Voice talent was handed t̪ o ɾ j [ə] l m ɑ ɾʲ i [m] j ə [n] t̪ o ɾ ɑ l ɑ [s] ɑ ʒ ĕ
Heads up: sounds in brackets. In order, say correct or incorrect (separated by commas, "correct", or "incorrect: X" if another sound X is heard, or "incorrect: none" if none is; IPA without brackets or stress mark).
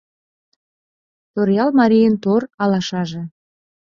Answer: incorrect: ɑ, incorrect: none, correct, incorrect: ʃ